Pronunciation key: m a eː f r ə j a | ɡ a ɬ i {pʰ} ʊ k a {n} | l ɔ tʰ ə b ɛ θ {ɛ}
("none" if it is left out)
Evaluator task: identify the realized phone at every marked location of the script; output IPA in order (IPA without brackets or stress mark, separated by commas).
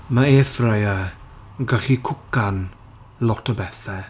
kʰ, n, ɛ